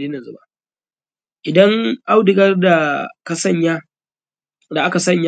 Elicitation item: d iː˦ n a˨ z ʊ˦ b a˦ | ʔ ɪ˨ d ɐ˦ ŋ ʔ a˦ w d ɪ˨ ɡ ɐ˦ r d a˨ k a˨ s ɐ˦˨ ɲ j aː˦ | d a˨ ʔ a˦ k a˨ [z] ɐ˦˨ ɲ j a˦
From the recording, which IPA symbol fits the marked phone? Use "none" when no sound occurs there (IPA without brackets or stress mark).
s